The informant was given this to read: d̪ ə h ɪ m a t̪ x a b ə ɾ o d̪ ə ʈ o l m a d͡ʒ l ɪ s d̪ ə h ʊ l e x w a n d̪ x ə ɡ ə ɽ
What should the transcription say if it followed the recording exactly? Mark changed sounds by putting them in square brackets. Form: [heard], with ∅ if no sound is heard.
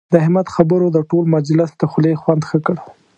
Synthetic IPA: d̪ ə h ɪ m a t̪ x a b ə ɾ o d̪ ə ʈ o l m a d͡ʒ l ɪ s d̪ ə [x] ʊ l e x w a n d̪ x ə [k] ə ɽ